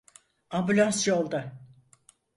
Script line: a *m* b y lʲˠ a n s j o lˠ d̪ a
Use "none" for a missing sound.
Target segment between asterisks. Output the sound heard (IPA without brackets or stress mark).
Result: m